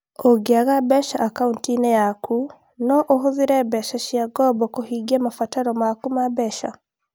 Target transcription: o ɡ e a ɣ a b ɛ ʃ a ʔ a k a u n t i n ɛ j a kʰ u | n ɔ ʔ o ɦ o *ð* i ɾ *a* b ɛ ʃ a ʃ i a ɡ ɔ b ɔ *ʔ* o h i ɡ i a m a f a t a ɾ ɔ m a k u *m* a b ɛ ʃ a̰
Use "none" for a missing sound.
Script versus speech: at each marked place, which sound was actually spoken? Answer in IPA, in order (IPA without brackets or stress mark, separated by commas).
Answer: ð, ɛ, k, m